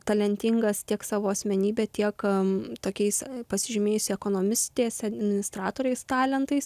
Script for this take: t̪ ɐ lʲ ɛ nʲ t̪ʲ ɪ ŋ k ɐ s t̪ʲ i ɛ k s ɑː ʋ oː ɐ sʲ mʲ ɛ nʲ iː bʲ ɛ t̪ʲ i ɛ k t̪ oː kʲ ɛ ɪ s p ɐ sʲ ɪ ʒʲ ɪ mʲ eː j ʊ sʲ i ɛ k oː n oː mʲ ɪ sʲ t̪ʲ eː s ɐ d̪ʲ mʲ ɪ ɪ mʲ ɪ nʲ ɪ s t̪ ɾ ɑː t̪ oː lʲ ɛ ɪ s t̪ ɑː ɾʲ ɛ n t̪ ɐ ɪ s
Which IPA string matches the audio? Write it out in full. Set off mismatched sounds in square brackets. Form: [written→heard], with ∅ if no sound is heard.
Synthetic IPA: t̪ ɐ lʲ ɛ nʲ t̪ʲ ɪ ŋ [k→ɡ] ɐ s t̪ʲ i ɛ k s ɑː ʋ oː ɐ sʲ mʲ ɛ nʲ iː bʲ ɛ t̪ʲ i ɛ k t̪ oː kʲ ɛ ɪ s p ɐ sʲ ɪ ʒʲ ɪ mʲ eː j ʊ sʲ [i→ɪ] ɛ k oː n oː mʲ ɪ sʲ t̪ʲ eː s ɐ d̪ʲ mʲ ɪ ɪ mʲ ɪ nʲ ɪ s t̪ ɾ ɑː t̪ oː [lʲ→ɾʲ] ɛ ɪ s t̪ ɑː [ɾʲ→lʲ] ɛ n t̪ ɐ ɪ s

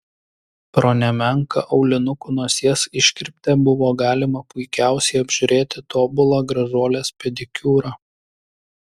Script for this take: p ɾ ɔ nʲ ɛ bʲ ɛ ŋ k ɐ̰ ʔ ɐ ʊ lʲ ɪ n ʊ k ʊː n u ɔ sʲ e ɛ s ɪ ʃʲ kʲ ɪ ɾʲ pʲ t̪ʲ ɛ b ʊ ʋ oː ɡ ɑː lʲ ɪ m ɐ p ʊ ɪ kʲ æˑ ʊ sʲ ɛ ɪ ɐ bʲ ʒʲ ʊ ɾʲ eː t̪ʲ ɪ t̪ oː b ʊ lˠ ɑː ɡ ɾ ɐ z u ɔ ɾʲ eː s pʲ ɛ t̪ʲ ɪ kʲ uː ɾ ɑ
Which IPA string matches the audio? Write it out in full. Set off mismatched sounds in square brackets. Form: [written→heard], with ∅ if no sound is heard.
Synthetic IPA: p ɾ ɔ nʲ ɛ [bʲ→mʲ] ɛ ŋ k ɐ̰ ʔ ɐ ʊ lʲ ɪ n ʊ k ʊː n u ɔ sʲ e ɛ s ɪ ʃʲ kʲ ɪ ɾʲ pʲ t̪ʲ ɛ b ʊ ʋ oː ɡ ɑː lʲ ɪ m ɐ p ʊ ɪ kʲ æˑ ʊ sʲ ɛ ɪ ɐ bʲ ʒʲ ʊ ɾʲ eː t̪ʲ ɪ t̪ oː b ʊ lˠ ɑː ɡ ɾ ɐ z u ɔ [ɾʲ→lʲ] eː s pʲ ɛ [t̪ʲ→d̪ʲ] ɪ kʲ uː ɾ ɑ

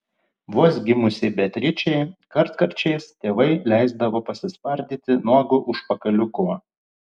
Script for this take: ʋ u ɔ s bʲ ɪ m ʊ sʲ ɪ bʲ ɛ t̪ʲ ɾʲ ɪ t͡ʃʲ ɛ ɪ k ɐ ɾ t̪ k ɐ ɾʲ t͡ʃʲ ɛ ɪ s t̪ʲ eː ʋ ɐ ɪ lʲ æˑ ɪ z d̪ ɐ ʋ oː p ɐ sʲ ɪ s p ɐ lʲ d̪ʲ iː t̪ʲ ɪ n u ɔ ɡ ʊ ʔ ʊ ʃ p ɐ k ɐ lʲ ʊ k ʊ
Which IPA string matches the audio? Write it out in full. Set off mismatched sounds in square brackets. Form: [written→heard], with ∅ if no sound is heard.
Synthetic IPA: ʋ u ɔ s [bʲ→ɡʲ] ɪ m ʊ sʲ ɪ bʲ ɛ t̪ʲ ɾʲ ɪ t͡ʃʲ ɛ ɪ k ɐ ɾ t̪ k ɐ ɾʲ t͡ʃʲ ɛ ɪ s t̪ʲ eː ʋ ɐ ɪ lʲ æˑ ɪ z d̪ ɐ ʋ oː p ɐ sʲ ɪ s p ɐ [lʲ→ɾʲ] d̪ʲ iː t̪ʲ ɪ n u ɔ ɡ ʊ ʔ ʊ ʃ p ɐ k ɐ lʲ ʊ k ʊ

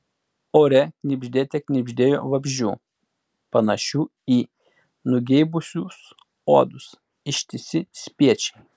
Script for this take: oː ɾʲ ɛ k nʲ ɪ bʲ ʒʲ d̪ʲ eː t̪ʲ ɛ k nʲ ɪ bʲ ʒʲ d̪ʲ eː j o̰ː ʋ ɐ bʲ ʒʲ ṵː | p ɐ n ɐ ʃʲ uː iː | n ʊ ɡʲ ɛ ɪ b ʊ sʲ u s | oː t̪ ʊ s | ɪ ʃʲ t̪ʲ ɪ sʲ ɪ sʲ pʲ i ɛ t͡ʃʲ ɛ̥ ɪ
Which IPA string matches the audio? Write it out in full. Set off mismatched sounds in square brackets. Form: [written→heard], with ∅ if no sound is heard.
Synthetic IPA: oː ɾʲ ɛ k nʲ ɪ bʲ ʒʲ d̪ʲ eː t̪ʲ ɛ k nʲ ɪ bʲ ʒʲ d̪ʲ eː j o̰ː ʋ ɐ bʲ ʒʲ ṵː | p ɐ n ɐ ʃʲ uː iː | n ʊ ɡʲ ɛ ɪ b ʊ sʲ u s | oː [t̪→d̪] ʊ s | ɪ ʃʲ t̪ʲ ɪ sʲ ɪ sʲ pʲ i ɛ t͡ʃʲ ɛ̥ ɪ

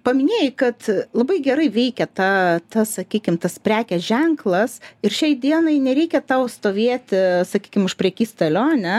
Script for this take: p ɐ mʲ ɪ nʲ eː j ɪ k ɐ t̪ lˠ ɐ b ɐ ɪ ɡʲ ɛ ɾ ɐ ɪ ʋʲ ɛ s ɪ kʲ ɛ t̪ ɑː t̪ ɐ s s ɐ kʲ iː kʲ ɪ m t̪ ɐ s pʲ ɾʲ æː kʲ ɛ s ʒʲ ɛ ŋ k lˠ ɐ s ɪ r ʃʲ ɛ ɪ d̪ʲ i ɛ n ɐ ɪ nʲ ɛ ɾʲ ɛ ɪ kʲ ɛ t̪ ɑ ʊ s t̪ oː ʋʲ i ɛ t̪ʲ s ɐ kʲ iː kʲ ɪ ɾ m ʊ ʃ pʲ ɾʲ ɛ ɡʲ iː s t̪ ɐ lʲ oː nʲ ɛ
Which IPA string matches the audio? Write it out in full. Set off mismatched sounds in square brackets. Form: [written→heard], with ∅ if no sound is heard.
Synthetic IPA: p ɐ mʲ ɪ nʲ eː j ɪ k ɐ t̪ lˠ ɐ b ɐ ɪ ɡʲ ɛ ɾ ɐ ɪ ʋʲ ɛ [s→∅] ɪ kʲ ɛ t̪ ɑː t̪ ɐ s s ɐ kʲ iː kʲ ɪ m t̪ ɐ s pʲ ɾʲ æː kʲ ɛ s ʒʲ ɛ ŋ k lˠ ɐ s ɪ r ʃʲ ɛ ɪ d̪ʲ i ɛ n ɐ ɪ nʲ ɛ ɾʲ ɛ ɪ kʲ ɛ t̪ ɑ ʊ s t̪ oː ʋʲ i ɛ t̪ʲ s ɐ kʲ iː kʲ ɪ [ɾ→∅] m ʊ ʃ pʲ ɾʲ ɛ [ɡʲ→kʲ] iː s t̪ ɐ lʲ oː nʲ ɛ

